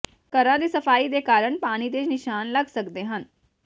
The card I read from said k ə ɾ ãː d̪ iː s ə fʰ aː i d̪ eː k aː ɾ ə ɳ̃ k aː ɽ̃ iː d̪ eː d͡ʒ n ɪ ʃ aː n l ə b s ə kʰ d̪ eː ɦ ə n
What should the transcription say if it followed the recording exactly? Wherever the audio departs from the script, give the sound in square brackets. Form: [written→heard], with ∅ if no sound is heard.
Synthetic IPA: k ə ɾ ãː d̪ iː s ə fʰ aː i d̪ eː k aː ɾ ə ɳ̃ [k→p] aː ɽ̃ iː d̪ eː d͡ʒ n ɪ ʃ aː n l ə [b→ɡ] s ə [kʰ→k] d̪ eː ɦ ə n